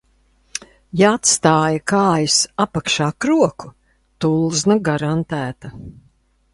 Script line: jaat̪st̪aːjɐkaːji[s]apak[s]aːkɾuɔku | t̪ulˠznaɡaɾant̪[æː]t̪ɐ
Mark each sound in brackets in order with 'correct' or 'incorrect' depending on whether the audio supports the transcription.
correct, incorrect: ʃ, correct

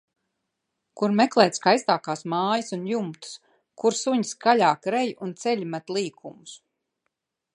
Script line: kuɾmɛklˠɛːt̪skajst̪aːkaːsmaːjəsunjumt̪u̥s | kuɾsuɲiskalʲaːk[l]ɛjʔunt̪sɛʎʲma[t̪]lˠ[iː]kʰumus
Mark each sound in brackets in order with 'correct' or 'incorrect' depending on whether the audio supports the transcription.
incorrect: ɾ, correct, correct

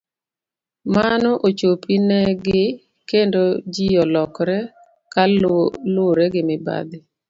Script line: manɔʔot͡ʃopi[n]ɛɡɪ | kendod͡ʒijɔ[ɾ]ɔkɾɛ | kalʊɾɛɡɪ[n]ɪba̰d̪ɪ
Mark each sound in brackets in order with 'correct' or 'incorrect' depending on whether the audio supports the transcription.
correct, incorrect: l, incorrect: m

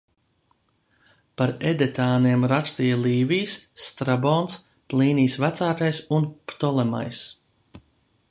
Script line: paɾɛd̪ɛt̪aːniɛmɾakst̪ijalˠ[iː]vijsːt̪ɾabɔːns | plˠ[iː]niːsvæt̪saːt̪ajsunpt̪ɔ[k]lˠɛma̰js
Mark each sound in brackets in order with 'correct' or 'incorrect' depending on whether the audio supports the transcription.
correct, correct, incorrect: none

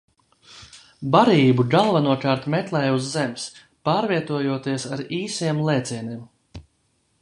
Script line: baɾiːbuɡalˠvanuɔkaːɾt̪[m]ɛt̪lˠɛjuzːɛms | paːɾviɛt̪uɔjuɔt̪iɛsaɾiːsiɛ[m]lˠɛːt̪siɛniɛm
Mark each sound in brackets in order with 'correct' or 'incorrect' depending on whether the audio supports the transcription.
correct, correct

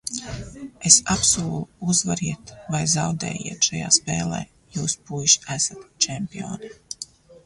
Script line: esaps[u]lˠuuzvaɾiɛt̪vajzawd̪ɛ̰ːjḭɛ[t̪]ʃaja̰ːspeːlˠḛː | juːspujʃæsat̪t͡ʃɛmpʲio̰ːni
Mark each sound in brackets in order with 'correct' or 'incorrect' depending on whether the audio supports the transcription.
incorrect: uː, correct

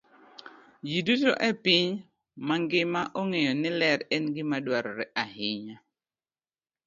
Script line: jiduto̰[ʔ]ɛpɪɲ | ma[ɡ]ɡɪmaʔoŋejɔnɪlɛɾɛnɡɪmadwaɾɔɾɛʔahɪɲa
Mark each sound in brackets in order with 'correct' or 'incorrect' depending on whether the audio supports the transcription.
correct, incorrect: ŋ

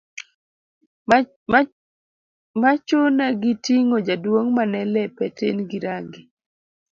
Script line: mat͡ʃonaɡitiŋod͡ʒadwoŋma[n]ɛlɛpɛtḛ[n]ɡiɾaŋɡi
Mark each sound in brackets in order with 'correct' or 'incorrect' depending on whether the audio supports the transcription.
correct, correct

